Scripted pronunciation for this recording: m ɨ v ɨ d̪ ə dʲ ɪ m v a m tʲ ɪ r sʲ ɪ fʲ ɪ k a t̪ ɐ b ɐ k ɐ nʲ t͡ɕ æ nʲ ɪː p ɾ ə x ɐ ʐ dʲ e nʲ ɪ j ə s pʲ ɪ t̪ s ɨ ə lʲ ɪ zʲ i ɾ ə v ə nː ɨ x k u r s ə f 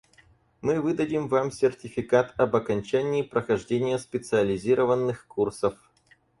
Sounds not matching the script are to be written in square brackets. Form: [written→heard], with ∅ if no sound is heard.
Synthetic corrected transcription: m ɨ v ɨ d̪ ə dʲ ɪ m v a m [tʲ→sʲ] ɪ r [sʲ→tʲ] ɪ fʲ ɪ k a t̪ ɐ b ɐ k ɐ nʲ t͡ɕ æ nʲ ɪː p ɾ ə x ɐ ʐ dʲ e nʲ ɪ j ə s pʲ ɪ t̪ s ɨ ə lʲ ɪ zʲ i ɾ ə v ə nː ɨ x k u r s ə f